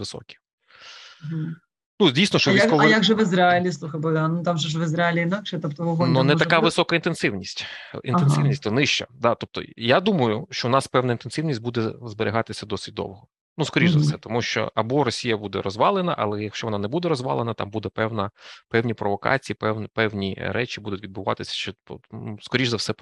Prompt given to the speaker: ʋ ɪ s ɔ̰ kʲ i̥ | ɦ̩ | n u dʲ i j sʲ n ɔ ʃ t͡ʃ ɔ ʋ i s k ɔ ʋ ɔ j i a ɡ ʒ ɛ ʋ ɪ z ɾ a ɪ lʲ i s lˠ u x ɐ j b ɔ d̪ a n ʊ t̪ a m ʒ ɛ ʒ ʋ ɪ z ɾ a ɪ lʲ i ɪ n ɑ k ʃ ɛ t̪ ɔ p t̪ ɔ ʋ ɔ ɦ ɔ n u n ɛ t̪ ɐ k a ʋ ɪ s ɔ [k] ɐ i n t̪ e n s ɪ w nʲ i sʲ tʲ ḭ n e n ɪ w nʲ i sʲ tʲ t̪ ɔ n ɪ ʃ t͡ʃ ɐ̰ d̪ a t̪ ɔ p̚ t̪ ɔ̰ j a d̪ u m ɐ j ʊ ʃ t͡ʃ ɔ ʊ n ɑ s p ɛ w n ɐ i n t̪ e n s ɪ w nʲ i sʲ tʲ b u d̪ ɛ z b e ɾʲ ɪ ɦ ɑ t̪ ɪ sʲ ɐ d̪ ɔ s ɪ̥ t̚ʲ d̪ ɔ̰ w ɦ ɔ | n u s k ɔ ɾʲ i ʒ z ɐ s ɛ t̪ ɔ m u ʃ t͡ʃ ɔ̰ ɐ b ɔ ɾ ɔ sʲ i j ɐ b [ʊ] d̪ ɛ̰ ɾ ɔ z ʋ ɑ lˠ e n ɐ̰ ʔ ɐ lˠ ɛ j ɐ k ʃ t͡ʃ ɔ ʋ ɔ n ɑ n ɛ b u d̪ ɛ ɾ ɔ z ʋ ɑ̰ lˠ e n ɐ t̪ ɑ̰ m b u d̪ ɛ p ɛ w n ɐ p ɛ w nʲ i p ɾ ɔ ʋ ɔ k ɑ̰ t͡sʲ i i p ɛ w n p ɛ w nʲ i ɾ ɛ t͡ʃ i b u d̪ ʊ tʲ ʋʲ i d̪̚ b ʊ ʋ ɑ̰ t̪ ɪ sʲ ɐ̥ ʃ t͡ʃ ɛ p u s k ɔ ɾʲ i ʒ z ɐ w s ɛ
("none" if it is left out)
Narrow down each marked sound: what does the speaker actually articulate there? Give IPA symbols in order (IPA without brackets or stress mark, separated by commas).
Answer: k, u